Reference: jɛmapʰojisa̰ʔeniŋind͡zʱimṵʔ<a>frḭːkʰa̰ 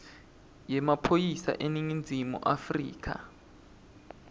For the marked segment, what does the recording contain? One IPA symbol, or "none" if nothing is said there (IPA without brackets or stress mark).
a